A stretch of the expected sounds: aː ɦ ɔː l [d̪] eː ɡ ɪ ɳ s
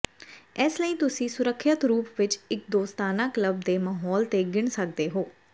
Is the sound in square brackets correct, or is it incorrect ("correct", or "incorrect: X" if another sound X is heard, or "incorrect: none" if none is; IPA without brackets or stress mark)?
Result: incorrect: t̪